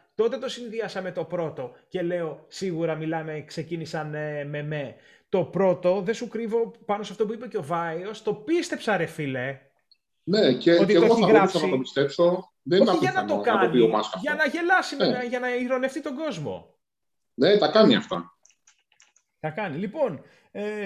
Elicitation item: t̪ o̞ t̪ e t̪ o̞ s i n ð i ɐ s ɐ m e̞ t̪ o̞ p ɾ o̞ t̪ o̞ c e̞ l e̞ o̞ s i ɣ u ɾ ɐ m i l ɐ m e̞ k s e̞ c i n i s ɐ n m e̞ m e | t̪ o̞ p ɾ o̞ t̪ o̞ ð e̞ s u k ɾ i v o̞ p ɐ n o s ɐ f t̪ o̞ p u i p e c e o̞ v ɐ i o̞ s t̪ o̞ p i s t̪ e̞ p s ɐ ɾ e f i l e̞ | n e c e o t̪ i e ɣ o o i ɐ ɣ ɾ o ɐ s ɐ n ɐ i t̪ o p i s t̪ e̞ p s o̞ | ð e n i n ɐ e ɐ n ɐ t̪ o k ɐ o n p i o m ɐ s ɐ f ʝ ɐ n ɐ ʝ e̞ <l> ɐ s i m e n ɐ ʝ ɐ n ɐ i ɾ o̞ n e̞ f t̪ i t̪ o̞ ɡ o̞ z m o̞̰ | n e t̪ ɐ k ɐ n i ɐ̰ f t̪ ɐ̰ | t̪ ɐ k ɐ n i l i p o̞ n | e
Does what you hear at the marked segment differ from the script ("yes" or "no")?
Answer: no